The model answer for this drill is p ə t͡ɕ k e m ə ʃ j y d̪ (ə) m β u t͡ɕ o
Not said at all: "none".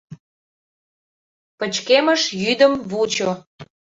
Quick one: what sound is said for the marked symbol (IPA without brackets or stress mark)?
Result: ə